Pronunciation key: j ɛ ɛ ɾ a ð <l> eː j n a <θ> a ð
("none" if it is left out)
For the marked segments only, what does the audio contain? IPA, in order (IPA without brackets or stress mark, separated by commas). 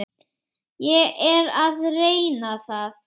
r, θ